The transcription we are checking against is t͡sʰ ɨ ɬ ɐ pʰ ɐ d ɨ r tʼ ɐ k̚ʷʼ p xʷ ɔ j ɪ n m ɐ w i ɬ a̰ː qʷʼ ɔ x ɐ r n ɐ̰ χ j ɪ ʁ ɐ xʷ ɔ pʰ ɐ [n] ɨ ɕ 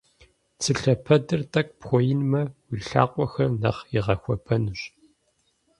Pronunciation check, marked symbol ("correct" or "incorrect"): correct